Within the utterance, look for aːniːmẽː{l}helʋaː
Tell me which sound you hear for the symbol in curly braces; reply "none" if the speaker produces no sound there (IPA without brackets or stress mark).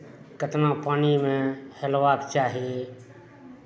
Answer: none